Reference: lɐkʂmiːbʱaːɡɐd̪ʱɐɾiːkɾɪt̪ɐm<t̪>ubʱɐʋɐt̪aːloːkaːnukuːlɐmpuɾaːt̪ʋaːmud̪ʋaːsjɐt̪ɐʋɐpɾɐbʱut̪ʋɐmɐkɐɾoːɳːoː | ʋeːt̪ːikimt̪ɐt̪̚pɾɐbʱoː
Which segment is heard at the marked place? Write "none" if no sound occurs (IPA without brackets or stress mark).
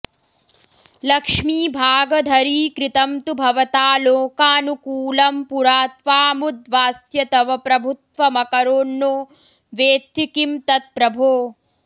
t̪